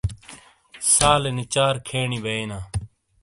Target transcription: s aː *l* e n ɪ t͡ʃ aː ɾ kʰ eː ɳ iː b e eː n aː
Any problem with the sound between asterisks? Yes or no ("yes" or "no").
no